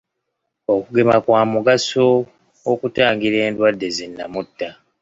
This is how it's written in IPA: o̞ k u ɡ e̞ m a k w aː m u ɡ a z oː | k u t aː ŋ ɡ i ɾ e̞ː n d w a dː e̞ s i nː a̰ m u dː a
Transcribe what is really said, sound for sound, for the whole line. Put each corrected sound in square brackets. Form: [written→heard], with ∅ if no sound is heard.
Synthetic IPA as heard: o̞ k u ɡ e̞ m a k w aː m u ɡ a [z→s] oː | k u t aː ŋ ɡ i ɾ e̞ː n d w a dː e̞ [s→z] i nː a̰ m u [dː→tː] a